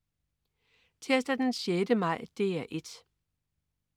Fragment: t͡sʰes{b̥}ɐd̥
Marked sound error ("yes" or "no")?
yes